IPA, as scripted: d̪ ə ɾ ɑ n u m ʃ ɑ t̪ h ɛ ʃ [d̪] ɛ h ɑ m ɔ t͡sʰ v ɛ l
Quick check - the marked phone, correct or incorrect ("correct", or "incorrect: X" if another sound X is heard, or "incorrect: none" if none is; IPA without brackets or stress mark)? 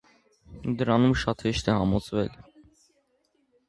incorrect: t̪